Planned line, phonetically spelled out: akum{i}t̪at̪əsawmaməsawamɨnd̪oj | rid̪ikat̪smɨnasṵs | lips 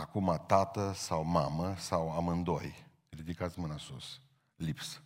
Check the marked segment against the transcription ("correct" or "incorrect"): incorrect